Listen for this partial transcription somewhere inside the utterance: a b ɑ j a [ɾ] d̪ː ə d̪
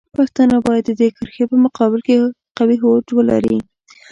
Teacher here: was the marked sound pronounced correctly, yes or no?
no